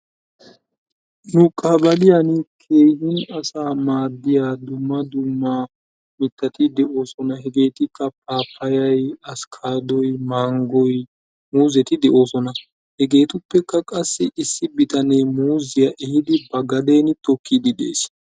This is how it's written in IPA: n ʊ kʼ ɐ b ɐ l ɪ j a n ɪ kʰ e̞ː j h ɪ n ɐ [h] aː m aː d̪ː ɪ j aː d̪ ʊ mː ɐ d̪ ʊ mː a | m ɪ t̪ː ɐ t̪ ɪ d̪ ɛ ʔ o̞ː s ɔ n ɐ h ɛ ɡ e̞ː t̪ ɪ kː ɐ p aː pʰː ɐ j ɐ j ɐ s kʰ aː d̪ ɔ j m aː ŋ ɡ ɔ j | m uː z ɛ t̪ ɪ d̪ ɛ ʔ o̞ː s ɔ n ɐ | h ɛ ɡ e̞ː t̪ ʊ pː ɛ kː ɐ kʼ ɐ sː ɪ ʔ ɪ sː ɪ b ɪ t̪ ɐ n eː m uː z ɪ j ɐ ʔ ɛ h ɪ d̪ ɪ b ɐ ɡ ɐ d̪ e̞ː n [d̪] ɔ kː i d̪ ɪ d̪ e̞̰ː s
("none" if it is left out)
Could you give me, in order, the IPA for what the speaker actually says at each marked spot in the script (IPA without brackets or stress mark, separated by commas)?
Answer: s, t̪